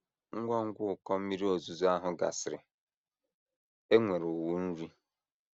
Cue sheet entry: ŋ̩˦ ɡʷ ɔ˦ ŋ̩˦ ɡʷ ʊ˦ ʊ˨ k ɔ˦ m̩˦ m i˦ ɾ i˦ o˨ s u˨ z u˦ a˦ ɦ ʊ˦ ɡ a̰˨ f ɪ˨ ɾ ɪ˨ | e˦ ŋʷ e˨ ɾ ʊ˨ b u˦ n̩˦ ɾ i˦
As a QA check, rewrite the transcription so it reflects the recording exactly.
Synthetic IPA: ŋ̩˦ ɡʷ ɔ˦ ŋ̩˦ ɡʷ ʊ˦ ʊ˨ k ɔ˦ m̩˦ m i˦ ɾ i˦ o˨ z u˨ z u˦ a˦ ɦ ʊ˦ ɡ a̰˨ s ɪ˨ ɾ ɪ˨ | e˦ ŋʷ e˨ ɾ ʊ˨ w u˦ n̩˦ ɾ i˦